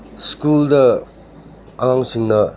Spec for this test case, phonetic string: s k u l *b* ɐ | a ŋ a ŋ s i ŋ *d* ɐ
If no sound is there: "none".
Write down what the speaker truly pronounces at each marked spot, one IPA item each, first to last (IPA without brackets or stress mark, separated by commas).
d, n